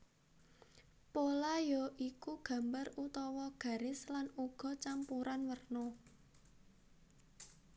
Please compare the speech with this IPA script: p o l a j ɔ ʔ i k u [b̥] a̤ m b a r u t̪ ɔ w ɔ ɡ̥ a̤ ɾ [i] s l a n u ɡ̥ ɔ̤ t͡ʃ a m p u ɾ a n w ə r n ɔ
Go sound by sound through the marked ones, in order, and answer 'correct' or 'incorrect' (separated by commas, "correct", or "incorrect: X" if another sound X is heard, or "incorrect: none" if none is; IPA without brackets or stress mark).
incorrect: ɡ̥, incorrect: ɪ